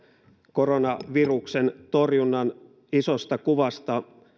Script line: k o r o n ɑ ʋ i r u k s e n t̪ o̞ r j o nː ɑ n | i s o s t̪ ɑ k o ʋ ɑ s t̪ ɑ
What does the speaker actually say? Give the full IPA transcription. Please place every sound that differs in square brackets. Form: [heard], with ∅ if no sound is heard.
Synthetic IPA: k o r o n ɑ ʋ i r u k s e n t̪ o̞ r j [u] nː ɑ n | i s o s t̪ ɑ k [u] ʋ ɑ s t̪ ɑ